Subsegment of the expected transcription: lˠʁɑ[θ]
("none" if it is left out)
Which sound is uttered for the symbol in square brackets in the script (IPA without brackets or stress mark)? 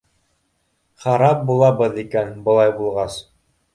s